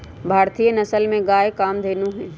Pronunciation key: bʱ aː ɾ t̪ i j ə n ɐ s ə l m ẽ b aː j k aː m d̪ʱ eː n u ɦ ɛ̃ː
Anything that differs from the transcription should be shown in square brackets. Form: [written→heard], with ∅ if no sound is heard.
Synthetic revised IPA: bʱ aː ɾ t̪ i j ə n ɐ s ə l m ẽ [b→ɡ] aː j k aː m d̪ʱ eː n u ɦ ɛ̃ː